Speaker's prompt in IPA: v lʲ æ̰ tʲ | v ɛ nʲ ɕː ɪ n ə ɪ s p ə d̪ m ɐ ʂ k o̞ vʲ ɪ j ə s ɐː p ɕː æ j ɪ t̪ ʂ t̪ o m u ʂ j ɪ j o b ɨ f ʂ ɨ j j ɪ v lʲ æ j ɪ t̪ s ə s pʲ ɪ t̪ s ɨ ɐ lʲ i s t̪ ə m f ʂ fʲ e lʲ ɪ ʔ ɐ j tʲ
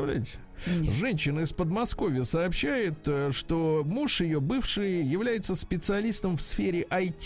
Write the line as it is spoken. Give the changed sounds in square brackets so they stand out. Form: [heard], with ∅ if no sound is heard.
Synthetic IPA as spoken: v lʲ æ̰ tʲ | [ʐ] ɛ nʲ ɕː ɪ n ə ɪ s p ə d̪ m ɐ [s] k o̞ vʲ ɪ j ə s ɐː p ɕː æ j ɪ t̪ ʂ t̪ o m u ʂ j ɪ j o b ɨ f ʂ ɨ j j ɪ v lʲ æ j ɪ t̪ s ə s pʲ ɪ t̪ s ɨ ɐ lʲ i s t̪ ə m f [s] fʲ e [ɾʲ] ɪ ʔ ɐ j tʲ